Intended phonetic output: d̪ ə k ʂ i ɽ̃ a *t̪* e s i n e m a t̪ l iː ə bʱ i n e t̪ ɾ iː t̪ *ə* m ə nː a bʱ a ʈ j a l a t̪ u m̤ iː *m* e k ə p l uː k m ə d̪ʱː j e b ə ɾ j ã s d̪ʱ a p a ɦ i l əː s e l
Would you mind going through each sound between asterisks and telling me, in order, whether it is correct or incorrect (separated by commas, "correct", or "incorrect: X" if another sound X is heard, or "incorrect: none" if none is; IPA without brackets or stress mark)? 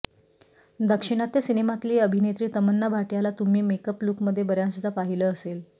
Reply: correct, correct, correct